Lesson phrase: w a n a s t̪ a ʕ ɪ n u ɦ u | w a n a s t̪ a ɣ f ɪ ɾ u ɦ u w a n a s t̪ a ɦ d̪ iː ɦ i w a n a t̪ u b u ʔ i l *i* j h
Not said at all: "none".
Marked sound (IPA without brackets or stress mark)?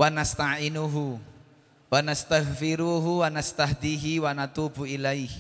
a